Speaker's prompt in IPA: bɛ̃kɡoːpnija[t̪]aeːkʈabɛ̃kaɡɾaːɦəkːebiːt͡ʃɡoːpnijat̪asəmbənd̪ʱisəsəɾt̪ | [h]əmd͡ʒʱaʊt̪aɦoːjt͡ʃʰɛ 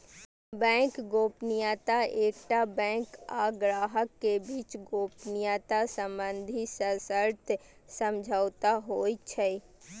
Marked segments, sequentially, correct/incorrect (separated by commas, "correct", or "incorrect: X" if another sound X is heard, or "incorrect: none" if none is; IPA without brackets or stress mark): correct, incorrect: s